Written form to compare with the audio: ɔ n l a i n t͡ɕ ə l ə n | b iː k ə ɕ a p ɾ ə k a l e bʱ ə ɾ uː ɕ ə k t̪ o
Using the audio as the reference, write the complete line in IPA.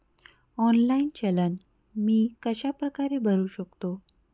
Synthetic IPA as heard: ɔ n l a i n t͡ɕ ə l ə n | m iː k ə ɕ a p ɾ ə k a ɾ e bʱ ə ɾ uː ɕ ə k t̪ o